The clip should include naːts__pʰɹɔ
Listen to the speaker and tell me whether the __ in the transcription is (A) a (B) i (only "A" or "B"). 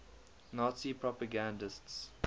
B